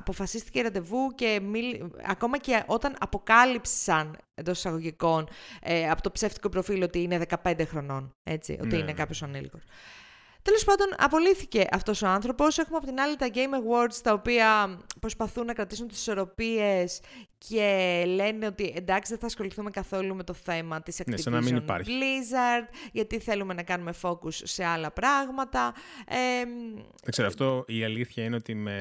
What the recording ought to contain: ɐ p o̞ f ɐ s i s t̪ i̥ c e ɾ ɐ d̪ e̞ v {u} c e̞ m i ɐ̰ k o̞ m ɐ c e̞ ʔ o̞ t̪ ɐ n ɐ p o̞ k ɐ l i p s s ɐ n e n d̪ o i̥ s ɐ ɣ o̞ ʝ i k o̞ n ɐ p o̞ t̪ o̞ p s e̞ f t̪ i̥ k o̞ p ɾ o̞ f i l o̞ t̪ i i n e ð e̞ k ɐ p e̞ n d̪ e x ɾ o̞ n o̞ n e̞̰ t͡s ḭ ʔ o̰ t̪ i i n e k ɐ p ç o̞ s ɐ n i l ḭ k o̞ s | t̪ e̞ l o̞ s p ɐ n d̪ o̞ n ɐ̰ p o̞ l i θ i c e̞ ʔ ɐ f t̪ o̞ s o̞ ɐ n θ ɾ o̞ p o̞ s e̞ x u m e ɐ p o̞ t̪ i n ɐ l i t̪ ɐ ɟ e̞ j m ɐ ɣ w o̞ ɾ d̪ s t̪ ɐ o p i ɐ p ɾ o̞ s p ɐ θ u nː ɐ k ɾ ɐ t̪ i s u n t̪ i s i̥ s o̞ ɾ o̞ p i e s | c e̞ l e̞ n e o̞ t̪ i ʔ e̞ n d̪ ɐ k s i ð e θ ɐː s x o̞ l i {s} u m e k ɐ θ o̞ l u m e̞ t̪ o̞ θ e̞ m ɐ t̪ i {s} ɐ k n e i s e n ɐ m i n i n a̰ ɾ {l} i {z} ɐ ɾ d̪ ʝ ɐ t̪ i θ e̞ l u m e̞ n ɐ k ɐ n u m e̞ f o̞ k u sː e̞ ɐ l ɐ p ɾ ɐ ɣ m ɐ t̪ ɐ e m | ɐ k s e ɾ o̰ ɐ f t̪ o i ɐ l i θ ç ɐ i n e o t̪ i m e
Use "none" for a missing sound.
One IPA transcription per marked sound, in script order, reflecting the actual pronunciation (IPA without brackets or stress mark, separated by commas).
u, θ, s, l, z